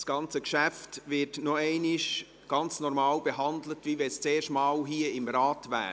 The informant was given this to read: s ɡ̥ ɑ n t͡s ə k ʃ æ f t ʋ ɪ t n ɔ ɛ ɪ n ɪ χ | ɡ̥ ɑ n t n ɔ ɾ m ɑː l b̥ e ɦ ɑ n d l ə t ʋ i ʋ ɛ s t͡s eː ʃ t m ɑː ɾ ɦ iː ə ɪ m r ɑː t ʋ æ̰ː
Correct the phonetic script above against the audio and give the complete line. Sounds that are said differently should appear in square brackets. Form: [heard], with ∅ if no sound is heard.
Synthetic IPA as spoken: s ɡ̥ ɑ n t͡s ə k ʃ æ f t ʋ ɪ t n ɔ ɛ ɪ n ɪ [ʃ] | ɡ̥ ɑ n [t͡s] n ɔ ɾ m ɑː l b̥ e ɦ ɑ n d l ə t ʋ i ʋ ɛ s t͡s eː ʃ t m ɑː [l] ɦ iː ə ɪ m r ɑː t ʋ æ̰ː